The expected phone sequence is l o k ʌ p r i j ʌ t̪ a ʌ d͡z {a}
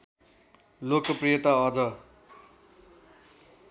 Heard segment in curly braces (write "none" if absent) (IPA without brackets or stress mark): ʌ